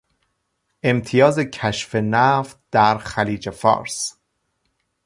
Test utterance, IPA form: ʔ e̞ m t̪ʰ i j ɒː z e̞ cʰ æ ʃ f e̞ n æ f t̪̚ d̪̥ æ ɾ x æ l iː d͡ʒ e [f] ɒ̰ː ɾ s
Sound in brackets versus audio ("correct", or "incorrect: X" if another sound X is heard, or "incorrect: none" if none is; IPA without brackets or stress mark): correct